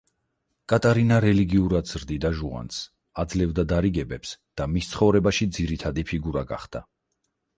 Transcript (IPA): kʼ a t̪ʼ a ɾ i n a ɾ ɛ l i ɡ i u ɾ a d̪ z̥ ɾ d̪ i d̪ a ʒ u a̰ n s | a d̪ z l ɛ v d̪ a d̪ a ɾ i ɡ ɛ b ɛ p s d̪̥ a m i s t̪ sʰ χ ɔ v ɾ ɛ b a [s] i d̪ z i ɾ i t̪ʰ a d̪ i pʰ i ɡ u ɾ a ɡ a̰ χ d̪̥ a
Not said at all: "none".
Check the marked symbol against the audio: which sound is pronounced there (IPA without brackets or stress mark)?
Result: ʃ